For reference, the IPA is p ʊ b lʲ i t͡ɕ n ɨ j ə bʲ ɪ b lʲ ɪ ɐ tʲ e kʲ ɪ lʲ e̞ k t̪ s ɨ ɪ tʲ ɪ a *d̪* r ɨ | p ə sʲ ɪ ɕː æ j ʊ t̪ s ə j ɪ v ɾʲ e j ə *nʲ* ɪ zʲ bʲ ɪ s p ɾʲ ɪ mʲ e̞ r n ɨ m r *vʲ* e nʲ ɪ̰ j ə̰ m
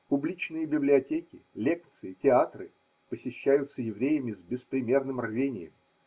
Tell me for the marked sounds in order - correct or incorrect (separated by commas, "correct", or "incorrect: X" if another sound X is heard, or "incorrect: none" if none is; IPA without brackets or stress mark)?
incorrect: t̪, incorrect: mʲ, correct